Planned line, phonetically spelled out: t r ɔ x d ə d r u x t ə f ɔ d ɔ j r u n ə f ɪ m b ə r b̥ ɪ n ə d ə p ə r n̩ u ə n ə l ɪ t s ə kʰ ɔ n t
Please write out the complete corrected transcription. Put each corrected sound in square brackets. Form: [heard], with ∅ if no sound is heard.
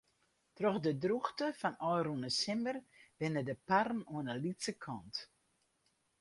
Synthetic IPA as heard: t r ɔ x d ə d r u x t ə f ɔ [n] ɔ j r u n ə [s] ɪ m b ə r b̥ ɪ n ə d ə p [a] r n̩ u ə n ə l [i] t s ə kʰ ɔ n t